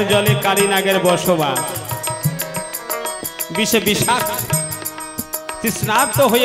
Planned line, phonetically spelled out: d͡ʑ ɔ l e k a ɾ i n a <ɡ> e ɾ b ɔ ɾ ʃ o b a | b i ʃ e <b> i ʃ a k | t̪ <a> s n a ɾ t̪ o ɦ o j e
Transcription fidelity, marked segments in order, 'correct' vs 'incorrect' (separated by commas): correct, correct, incorrect